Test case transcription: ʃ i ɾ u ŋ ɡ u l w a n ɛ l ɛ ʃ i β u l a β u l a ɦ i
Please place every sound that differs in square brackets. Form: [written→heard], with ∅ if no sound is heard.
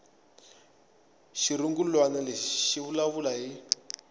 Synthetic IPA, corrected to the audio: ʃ i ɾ u ŋ ɡ u l w a n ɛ l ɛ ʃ i β u l a β u l a ɦ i